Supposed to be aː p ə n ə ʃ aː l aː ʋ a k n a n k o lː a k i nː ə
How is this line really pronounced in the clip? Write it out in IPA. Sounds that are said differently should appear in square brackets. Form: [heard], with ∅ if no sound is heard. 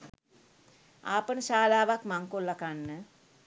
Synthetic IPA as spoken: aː p ə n ə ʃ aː l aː ʋ a k [m] a [ŋ] k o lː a k [a] nː ə